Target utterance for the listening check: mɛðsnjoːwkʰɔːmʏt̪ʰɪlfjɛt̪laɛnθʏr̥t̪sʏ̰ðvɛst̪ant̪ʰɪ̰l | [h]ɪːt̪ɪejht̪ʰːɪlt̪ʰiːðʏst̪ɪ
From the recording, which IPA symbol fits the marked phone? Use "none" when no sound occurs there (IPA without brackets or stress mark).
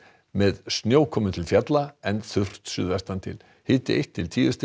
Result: h